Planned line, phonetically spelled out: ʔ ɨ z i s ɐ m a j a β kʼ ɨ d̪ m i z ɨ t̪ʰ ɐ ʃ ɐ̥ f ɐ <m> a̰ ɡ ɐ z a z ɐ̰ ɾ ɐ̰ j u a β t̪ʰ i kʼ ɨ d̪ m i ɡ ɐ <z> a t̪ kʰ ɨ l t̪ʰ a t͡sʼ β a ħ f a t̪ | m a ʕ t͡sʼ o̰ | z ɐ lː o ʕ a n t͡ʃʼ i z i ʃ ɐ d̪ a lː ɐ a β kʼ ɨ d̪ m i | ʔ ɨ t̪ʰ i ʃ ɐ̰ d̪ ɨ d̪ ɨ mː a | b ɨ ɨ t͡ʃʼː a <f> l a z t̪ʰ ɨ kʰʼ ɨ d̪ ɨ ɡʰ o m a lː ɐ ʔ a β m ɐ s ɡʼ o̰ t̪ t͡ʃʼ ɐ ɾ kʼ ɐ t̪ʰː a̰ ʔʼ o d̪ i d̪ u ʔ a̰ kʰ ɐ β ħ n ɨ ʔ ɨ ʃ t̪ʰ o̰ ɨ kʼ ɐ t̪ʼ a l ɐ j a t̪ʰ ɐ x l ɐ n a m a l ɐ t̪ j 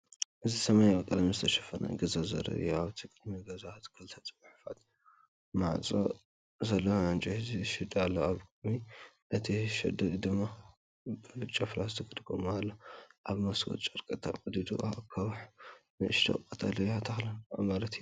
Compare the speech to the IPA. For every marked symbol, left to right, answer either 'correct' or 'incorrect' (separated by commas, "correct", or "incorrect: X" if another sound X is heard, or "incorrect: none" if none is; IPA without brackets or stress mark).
incorrect: n, correct, correct